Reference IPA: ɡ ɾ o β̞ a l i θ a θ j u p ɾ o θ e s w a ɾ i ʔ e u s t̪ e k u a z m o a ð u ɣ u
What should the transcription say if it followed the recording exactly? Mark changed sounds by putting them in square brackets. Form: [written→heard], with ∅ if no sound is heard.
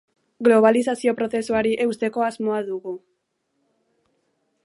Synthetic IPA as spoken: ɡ [ɾ→l] o β̞ a l i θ a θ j [u→o] p ɾ o θ e s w a ɾ i ʔ e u s t̪ e k [u→o] a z m o a ð u ɣ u

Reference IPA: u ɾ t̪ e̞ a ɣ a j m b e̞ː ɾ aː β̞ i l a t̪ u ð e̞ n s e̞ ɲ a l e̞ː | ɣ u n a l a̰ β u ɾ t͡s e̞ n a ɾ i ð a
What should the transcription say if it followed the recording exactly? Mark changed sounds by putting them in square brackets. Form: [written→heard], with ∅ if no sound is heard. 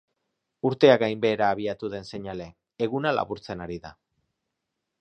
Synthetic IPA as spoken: u ɾ t̪ e̞ a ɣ a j m b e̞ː ɾ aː β̞ i [l→∅] a t̪ u ð e̞ n s e̞ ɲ a l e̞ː | ɣ u n a l a̰ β u ɾ t͡s e̞ n a ɾ i ð a

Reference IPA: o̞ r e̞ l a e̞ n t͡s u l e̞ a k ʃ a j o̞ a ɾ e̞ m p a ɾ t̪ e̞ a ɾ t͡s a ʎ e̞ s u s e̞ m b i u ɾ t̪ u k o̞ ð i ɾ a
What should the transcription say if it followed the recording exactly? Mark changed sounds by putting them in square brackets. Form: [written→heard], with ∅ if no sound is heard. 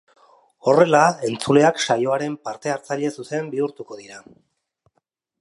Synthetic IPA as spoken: o̞ r e̞ l a e̞ n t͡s u l e̞ a k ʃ a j o̞ a ɾ e̞ m p a ɾ t̪ e̞ a ɾ t͡s a ʎ e̞ s u s e̞ m b i u ɾ t̪ u k o̞ ð i ɾ a

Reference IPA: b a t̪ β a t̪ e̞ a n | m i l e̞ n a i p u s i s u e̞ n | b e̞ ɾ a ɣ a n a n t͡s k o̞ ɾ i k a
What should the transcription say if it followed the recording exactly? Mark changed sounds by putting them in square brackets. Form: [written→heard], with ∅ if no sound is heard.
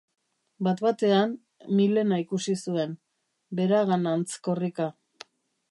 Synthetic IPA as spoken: b a t̪ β a t̪ e̞ a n | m i l e̞ n a i [p→k] u s i s u e̞ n | b e̞ ɾ a ɣ a n a n t͡s k o̞ [ɾ→r] i k a

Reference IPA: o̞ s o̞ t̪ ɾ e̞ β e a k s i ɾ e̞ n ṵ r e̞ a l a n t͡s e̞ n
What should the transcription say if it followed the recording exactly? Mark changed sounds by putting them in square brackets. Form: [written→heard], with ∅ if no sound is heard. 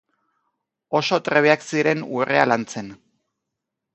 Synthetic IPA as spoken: o̞ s o̞ t̪ ɾ e̞ β e a k s i ɾ e̞ n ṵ r e̞ a l a n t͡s e̞ n

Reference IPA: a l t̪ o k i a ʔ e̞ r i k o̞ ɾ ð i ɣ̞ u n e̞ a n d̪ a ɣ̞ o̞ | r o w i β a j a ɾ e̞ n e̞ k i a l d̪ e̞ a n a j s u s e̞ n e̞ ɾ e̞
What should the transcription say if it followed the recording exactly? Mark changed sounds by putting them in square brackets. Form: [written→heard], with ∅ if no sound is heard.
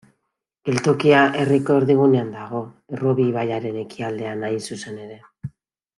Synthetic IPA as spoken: [a→e] l t̪ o k i a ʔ e̞ r i k o̞ ɾ ð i ɣ̞ u n e̞ a n d̪ a ɣ̞ o̞ | r o [w→β] i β a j a ɾ e̞ n e̞ k i a l d̪ e̞ a n a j s u s e̞ n e̞ ɾ e̞

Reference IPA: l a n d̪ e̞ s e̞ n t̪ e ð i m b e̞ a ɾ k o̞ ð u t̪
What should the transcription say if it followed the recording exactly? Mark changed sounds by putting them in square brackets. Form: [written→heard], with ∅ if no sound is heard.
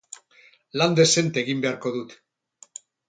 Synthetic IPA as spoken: l a n d̪ e̞ s e̞ n t̪ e [ð→ɣ] i m b e̞ a ɾ k o̞ ð u t̪

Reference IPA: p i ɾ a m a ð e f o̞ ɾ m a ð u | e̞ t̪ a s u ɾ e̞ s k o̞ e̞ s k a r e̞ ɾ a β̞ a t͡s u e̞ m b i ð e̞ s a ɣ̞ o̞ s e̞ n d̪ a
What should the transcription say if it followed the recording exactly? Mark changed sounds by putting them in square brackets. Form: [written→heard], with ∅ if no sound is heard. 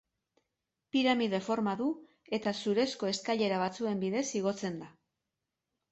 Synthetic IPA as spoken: p i ɾ a m [a→i] ð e f o̞ ɾ m a ð u | e̞ t̪ a s u ɾ e̞ s k o̞ e̞ s k a [r→ʎ] e̞ ɾ a β̞ a t͡s u e̞ m b i ð e̞ s [a→i] ɣ̞ o̞ [s→t͡s] e̞ n d̪ a

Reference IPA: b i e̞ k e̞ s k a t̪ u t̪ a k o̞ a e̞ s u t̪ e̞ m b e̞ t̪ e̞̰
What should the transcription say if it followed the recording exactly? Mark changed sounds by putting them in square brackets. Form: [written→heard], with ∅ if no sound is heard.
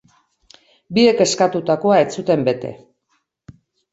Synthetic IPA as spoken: b i e̞ k e̞ s k a t̪ u t̪ a k o̞ a e̞ [s→t͡s] u t̪ e̞ m b e̞ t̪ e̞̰

